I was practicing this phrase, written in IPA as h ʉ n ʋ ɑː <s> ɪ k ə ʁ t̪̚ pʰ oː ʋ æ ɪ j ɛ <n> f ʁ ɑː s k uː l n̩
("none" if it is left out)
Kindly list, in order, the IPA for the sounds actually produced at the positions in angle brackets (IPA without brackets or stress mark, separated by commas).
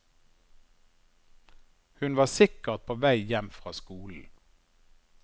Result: s, m